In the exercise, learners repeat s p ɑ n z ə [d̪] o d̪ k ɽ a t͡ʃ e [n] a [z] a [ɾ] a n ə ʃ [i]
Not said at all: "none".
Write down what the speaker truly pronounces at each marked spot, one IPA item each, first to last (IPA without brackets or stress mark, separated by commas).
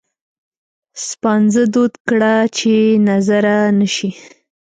d̪, n, z, ɾ, i